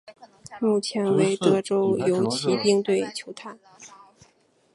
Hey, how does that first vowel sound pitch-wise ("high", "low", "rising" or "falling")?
falling